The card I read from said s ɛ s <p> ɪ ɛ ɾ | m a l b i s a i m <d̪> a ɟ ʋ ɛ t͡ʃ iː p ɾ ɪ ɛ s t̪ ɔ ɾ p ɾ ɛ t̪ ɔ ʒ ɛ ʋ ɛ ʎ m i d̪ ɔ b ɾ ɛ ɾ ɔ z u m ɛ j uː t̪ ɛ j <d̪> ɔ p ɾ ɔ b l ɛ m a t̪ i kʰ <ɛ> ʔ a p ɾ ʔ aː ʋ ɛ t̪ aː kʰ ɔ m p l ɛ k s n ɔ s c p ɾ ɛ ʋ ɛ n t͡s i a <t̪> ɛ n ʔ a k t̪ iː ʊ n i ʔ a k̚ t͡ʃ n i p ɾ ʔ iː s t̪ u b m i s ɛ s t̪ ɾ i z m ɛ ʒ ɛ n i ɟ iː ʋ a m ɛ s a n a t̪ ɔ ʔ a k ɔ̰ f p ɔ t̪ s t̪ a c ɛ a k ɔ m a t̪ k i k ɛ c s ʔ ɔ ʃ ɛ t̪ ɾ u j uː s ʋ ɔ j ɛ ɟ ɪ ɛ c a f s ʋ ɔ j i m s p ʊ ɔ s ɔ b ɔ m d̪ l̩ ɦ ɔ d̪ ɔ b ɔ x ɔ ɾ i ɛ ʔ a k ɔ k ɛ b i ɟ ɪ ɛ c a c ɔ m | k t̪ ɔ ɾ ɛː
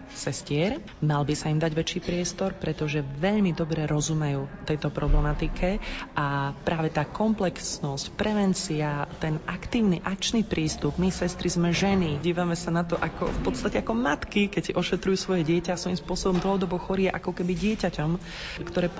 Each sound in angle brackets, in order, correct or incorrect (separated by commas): incorrect, correct, incorrect, correct, correct